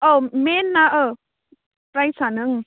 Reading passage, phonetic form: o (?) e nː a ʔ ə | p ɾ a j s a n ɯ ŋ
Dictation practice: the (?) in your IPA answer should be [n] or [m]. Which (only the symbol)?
m